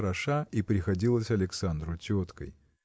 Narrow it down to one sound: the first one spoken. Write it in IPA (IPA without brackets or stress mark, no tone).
ɾ